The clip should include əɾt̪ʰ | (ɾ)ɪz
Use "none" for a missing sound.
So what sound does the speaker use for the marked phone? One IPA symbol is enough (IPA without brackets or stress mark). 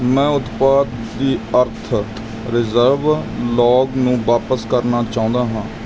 ɾ